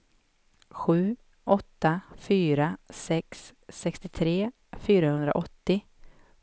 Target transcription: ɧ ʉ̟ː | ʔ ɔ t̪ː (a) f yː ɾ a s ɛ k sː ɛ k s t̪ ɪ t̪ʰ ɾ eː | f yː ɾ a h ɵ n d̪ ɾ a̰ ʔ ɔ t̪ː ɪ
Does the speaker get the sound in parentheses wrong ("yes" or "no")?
no